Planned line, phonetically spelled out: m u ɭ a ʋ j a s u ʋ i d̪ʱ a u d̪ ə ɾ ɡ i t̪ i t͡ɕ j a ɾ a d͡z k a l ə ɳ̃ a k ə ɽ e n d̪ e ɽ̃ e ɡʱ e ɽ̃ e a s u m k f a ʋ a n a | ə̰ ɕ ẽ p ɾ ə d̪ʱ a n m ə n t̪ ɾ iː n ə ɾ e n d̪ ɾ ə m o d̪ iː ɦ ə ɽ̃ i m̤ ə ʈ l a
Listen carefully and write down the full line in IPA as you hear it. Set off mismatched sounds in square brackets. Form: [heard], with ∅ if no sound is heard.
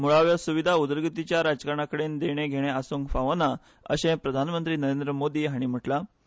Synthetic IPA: m u ɭ a ʋ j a s u ʋ i d̪ʱ a u d̪ ə ɾ ɡ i t̪ i t͡ɕ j a ɾ a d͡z k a [ɾ] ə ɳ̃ a k ə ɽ e n d̪ e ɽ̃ e ɡʱ e ɽ̃ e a s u [ŋ] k f a ʋ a n a | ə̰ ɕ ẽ p ɾ ə d̪ʱ a n m ə n t̪ ɾ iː n ə ɾ e n d̪ ɾ ə m o d̪ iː ɦ [a] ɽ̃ i m̤ ə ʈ l a